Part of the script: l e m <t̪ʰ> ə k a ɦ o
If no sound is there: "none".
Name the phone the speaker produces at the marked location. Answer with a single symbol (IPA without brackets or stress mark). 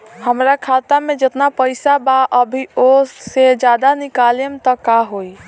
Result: t̪